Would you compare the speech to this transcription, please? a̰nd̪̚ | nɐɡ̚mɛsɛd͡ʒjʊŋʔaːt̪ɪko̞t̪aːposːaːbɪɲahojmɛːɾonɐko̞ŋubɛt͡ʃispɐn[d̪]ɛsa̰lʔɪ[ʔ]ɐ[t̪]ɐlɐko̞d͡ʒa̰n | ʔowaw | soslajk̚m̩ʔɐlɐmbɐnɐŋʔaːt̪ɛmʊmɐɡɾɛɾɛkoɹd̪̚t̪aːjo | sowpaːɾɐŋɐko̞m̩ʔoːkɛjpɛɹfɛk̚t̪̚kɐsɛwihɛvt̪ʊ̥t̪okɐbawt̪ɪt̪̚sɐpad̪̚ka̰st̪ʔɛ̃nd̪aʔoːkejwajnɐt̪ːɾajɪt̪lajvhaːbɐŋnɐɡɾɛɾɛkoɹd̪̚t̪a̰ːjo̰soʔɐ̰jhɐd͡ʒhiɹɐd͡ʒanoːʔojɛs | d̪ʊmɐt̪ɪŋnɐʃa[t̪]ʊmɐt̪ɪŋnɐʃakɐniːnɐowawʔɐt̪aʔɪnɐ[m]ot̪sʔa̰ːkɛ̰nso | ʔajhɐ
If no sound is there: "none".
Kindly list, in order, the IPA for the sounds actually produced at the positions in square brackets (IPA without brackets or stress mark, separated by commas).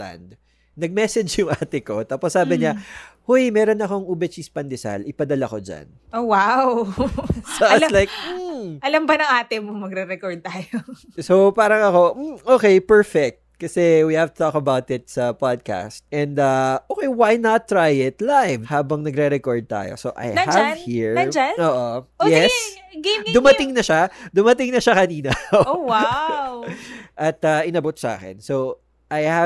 d̪, p, d̪, d̪, b